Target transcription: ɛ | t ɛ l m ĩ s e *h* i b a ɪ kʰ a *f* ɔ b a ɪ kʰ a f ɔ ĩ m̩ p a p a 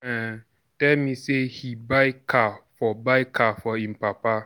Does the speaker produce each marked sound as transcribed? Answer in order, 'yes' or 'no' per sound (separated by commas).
yes, yes